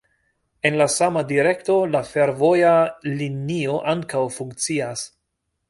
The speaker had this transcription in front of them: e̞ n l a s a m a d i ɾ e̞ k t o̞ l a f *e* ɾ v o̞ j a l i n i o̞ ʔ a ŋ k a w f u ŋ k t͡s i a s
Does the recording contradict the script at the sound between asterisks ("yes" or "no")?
no